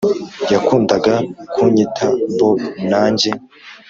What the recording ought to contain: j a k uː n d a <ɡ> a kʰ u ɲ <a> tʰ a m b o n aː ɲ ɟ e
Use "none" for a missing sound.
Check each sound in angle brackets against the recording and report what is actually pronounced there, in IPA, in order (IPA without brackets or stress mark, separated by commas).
ɡ, i